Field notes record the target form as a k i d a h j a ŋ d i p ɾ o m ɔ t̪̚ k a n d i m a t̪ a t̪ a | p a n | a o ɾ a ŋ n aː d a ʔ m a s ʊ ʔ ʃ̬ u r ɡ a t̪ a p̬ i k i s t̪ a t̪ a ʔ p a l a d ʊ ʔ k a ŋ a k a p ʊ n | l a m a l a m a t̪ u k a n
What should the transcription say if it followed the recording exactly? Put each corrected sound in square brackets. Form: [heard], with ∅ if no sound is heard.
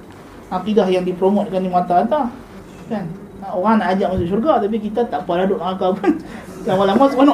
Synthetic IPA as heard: a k i d a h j a ŋ d i p ɾ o m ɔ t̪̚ k a n d i m a t̪ a t̪ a | [k] a n | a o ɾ a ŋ n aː [d͡ʒ] a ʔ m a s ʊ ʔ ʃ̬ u r ɡ a t̪ a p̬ i k i [∅] t̪ a t̪ a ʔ p a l a d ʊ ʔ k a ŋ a k a p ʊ n | l a m a l a m a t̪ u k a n